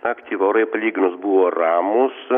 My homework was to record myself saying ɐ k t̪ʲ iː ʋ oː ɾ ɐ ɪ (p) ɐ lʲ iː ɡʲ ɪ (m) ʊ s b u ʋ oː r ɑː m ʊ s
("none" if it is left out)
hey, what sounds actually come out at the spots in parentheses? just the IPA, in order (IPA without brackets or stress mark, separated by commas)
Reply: p, n